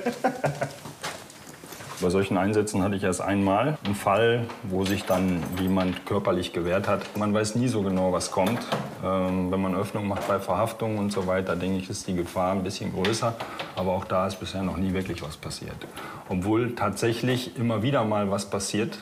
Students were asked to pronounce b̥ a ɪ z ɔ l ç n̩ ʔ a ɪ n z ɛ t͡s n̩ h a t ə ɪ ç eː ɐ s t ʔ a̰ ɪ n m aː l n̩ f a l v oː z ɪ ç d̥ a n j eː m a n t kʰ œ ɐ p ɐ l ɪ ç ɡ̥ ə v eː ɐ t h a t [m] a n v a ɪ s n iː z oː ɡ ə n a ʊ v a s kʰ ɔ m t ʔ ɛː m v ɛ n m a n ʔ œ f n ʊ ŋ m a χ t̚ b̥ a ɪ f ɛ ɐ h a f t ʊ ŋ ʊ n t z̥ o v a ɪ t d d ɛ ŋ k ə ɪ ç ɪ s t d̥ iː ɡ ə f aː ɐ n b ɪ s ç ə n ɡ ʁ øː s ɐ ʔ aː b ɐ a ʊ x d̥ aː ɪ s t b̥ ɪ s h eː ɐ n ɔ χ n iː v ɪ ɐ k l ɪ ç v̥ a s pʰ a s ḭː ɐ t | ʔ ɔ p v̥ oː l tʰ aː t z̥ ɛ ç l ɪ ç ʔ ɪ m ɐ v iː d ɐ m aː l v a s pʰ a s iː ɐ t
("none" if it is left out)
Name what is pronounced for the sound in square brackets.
m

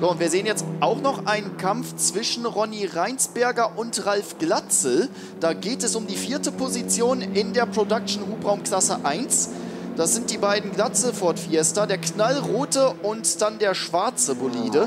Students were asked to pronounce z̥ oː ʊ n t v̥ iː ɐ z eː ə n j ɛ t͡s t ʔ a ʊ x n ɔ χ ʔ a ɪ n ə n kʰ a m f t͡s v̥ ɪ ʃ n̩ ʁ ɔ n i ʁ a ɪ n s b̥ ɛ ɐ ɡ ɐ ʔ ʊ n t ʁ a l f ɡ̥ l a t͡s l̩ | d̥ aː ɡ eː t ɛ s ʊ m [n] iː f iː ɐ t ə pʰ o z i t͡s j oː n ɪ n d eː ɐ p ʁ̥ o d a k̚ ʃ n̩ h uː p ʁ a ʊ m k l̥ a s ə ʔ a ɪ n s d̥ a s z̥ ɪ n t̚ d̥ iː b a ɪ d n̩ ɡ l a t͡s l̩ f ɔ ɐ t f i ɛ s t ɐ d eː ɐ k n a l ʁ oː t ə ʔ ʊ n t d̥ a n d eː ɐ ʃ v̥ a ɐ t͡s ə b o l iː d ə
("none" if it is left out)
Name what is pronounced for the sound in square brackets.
d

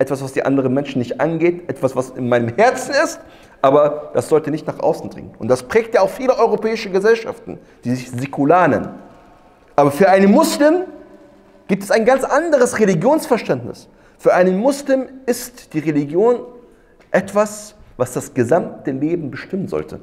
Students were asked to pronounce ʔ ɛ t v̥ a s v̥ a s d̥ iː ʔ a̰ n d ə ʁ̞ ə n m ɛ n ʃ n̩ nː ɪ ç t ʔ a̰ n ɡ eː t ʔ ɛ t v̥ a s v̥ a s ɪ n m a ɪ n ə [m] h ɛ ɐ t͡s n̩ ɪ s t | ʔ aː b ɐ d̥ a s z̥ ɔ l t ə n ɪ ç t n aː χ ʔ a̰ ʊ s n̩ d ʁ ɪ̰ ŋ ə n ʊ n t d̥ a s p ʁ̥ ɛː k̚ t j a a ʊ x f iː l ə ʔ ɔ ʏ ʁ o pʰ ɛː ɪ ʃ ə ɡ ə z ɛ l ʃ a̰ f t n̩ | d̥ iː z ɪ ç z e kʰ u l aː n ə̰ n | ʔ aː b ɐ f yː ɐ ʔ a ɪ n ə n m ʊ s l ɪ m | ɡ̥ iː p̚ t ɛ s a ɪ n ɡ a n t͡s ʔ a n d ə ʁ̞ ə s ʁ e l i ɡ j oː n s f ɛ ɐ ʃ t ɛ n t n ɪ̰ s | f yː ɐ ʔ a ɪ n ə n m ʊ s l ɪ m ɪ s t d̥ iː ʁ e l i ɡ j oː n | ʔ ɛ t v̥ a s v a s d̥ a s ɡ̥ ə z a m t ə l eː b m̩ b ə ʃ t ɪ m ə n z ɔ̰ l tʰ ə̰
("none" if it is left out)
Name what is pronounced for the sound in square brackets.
m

